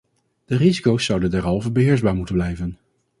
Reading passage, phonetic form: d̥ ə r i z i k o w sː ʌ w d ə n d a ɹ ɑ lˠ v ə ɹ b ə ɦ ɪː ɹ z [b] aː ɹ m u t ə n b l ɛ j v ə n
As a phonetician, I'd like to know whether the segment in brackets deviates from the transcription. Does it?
no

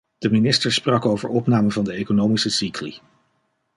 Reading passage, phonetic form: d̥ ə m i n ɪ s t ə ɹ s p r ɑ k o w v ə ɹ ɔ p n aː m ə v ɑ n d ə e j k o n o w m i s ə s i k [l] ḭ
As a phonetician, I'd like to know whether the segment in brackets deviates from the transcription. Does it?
no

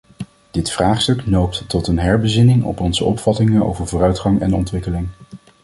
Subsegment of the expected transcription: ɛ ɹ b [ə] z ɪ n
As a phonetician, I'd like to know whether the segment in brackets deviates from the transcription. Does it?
no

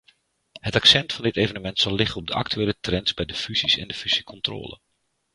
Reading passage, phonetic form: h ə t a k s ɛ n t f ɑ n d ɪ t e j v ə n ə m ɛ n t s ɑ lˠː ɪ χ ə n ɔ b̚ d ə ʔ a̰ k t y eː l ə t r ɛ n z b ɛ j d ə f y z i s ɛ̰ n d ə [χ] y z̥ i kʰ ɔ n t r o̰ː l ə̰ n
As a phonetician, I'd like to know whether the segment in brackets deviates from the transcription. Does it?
yes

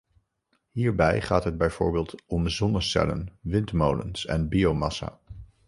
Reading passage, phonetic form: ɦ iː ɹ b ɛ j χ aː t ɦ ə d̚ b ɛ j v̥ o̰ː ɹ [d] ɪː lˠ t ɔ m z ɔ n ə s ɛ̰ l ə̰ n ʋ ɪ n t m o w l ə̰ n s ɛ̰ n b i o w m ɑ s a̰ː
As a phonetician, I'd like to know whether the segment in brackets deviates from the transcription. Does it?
yes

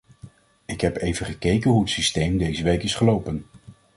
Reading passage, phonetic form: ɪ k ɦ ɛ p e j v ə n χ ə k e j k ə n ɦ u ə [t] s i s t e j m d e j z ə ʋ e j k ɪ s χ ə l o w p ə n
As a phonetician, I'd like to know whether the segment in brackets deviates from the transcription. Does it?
no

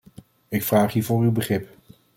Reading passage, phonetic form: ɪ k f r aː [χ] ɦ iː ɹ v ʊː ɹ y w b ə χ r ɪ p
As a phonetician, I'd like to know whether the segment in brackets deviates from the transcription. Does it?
no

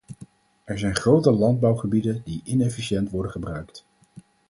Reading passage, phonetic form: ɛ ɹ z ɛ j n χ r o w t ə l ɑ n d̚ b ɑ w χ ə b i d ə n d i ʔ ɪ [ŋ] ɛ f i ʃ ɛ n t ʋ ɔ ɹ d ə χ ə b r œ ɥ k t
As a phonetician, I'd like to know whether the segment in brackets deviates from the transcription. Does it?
yes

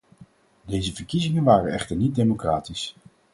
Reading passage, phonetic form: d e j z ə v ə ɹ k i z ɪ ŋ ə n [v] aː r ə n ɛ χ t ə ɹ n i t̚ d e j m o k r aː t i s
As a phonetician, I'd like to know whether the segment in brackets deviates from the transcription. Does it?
yes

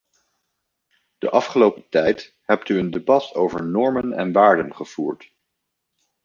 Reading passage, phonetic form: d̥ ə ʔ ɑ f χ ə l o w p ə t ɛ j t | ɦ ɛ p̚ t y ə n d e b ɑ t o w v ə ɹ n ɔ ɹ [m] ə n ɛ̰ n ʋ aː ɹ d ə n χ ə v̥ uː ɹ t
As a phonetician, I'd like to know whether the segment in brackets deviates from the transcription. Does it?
no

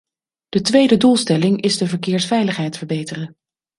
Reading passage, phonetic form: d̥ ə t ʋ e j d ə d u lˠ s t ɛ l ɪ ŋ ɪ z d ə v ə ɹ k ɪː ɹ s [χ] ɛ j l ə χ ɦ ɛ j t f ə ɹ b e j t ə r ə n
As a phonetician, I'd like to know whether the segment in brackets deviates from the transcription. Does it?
yes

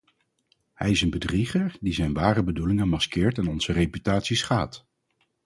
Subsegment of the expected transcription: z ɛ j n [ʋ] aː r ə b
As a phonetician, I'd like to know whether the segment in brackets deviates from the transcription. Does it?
no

